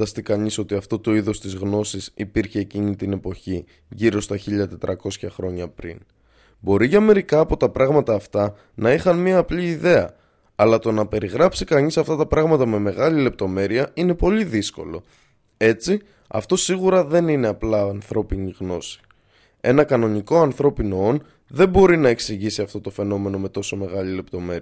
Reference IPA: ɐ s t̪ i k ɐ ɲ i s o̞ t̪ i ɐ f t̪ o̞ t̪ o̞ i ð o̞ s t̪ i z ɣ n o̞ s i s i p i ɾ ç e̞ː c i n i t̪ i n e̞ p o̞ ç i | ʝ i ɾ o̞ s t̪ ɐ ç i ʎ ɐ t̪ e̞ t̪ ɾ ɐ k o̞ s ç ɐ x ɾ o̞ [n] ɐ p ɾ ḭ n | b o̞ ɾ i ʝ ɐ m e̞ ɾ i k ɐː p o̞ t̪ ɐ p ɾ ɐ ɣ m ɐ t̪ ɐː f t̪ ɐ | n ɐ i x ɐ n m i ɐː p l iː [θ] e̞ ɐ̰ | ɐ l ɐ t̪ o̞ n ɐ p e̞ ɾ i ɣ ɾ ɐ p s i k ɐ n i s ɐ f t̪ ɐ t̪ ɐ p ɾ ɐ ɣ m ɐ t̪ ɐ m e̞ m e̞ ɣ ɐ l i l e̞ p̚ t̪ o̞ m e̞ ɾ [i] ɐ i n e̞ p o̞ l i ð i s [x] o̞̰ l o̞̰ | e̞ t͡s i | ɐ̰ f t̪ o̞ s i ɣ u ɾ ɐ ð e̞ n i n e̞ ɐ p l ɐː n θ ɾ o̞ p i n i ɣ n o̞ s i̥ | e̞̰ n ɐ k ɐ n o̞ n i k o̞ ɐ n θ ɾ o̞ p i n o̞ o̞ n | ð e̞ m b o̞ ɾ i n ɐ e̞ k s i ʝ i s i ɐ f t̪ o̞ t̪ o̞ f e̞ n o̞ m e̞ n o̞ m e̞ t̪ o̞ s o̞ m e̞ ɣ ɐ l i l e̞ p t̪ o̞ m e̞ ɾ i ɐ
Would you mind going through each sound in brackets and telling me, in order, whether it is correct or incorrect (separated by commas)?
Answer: incorrect, incorrect, correct, incorrect